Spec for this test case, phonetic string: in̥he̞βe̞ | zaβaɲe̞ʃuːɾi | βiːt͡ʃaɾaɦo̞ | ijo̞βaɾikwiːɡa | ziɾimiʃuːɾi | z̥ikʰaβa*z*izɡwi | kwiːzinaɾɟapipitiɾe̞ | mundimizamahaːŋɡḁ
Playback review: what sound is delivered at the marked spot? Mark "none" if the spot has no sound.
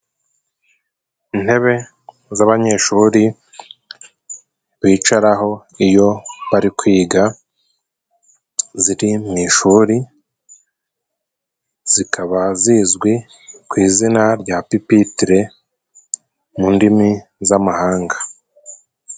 z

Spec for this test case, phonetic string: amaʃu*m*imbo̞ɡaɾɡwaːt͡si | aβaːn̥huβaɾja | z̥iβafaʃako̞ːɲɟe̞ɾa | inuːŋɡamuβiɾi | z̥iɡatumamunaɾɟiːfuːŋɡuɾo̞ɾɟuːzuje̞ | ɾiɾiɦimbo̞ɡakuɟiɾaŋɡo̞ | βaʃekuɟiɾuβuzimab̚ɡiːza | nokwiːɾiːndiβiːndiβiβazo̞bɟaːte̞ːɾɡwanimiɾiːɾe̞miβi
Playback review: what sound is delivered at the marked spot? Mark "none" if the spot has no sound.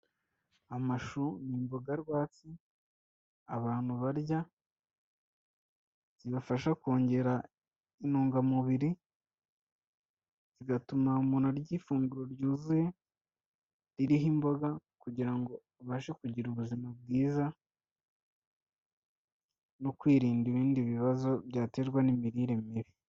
n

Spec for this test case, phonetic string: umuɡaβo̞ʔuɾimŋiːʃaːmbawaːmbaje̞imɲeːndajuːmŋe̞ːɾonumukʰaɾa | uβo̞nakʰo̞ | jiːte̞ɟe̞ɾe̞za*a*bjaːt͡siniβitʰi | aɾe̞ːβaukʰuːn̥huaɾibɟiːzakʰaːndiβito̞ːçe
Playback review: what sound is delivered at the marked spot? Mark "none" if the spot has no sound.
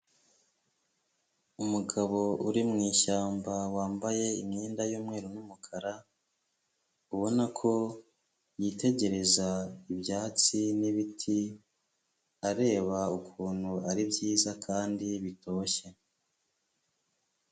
i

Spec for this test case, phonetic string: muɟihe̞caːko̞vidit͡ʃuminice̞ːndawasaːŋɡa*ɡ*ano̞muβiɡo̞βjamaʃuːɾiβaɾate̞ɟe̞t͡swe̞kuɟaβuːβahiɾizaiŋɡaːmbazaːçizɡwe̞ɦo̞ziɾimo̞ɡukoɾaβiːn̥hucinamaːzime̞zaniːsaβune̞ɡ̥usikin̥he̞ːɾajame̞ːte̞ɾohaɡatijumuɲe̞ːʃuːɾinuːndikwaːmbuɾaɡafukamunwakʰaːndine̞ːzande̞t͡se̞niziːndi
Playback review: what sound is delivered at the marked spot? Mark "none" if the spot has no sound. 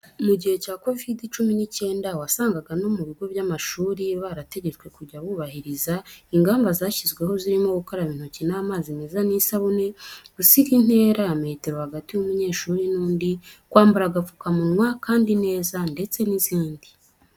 ɡ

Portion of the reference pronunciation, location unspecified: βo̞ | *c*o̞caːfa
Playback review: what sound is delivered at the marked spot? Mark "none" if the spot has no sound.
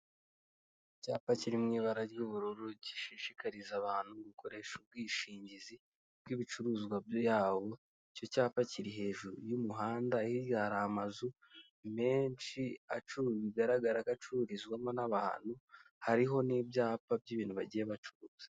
c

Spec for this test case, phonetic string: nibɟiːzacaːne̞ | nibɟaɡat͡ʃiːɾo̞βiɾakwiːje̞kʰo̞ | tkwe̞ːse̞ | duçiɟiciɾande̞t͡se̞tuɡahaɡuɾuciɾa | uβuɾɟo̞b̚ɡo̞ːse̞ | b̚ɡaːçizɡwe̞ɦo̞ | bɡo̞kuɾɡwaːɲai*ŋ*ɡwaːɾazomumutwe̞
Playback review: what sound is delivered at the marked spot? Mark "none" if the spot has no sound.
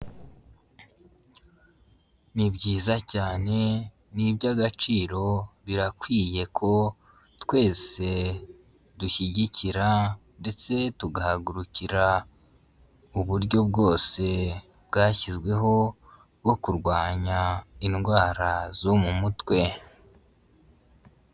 n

